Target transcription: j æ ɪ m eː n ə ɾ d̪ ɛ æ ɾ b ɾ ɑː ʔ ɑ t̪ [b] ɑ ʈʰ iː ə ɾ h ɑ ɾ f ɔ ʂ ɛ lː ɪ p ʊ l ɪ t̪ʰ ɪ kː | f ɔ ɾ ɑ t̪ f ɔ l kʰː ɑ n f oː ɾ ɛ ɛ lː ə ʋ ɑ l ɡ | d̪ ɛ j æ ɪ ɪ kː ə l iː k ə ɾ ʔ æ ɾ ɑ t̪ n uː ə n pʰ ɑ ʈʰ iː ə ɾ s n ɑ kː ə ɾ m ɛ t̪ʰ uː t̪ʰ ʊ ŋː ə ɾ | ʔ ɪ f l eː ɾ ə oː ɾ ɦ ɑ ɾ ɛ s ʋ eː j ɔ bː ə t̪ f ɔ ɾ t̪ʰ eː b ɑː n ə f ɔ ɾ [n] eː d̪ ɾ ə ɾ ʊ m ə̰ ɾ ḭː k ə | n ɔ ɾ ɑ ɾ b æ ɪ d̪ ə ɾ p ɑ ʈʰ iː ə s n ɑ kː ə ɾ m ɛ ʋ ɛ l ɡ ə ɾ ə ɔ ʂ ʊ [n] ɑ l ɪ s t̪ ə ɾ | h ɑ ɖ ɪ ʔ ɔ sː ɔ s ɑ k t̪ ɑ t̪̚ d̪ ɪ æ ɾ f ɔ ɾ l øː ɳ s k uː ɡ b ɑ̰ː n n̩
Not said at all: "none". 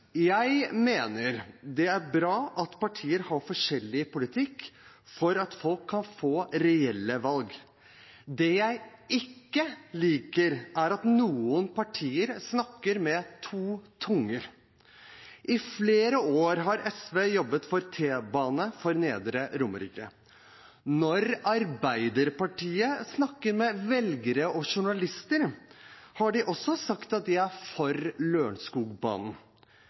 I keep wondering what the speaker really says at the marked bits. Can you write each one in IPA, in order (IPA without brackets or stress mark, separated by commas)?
p, n, ɳ